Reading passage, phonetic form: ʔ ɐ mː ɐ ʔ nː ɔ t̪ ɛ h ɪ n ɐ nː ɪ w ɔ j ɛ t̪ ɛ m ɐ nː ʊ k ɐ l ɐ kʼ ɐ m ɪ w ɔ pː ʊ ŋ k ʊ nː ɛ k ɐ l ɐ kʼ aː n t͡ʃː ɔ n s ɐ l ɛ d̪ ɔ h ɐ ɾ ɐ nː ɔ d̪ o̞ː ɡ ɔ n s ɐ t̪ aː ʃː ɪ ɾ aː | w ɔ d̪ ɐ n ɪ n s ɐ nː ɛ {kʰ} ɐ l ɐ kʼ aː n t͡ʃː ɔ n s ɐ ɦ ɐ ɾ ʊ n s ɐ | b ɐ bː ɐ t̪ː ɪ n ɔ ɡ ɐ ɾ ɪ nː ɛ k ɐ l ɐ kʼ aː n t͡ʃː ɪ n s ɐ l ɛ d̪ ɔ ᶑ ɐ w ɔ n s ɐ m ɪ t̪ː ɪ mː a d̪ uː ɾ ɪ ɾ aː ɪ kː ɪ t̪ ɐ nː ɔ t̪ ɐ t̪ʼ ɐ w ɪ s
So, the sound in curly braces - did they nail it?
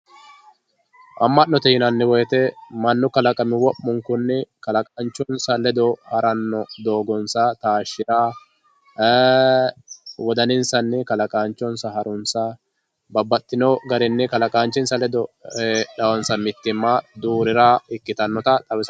no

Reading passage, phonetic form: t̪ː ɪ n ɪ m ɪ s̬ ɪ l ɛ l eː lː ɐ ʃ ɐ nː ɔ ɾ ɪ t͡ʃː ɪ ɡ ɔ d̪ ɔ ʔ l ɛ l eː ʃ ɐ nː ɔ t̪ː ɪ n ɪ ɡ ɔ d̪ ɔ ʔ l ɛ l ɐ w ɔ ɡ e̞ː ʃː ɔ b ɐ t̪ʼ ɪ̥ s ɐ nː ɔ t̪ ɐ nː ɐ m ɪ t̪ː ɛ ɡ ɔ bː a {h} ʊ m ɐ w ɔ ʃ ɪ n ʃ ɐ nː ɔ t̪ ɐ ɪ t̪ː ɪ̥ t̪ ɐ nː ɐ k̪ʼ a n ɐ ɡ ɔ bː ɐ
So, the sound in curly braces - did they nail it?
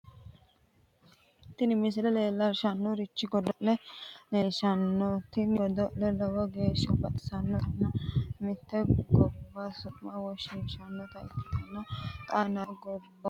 no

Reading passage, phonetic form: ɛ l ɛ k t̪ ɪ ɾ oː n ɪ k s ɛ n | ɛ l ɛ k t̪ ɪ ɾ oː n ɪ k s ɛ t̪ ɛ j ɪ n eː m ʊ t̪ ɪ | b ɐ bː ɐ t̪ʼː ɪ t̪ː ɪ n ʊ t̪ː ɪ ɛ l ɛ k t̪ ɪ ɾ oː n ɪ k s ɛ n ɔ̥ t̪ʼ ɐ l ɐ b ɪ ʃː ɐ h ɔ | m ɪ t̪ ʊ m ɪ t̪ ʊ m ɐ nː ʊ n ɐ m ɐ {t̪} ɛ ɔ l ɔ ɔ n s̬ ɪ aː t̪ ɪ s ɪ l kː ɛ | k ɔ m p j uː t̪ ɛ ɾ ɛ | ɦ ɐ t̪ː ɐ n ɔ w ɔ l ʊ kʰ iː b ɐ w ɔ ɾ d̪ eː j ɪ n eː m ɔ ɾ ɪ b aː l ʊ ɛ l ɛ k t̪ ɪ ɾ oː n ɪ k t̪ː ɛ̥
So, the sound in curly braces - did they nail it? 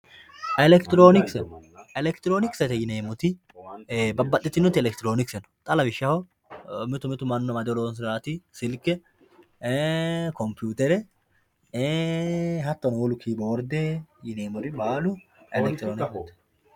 no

